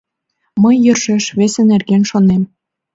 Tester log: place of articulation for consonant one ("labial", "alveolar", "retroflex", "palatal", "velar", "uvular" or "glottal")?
labial